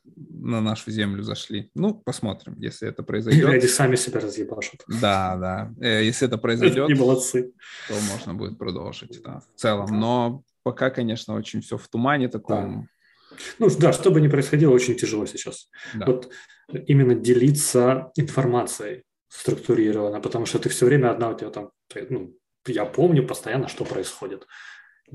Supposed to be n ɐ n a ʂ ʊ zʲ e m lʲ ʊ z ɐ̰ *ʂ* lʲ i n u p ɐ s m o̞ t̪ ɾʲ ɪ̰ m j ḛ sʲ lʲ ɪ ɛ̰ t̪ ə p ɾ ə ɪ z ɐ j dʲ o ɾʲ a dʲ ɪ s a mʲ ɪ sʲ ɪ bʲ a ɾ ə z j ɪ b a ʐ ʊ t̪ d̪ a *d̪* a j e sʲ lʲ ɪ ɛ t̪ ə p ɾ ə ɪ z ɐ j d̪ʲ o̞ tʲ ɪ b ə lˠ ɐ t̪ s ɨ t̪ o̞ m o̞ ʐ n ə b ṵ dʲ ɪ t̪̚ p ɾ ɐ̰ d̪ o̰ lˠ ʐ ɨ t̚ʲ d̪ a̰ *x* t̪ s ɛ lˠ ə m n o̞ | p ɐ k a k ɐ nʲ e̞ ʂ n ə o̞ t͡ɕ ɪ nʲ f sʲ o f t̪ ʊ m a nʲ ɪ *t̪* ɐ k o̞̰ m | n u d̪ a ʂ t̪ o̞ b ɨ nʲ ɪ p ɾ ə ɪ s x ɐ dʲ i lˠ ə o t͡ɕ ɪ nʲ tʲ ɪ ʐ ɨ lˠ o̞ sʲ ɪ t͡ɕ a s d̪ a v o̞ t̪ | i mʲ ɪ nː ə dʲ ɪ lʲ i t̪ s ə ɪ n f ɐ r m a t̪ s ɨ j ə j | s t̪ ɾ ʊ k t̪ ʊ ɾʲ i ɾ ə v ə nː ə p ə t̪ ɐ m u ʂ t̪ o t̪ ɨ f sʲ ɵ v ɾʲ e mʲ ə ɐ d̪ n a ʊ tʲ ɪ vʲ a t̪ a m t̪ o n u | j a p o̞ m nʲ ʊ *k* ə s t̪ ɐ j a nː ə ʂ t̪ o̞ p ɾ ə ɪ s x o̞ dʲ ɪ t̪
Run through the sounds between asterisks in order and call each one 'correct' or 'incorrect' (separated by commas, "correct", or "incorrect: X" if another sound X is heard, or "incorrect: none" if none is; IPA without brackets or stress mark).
correct, correct, incorrect: f, correct, incorrect: p